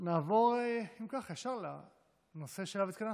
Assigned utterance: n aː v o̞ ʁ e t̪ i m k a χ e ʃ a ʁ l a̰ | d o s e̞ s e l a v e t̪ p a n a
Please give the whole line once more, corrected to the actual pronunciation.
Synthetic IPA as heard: n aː v o̞ ʁ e i m k a χ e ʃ a ʁ l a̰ | n o s e̞ ʃ e l a v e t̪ k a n a